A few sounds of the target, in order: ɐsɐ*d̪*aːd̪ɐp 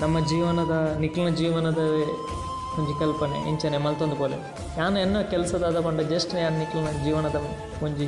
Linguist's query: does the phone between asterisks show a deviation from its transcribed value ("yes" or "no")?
no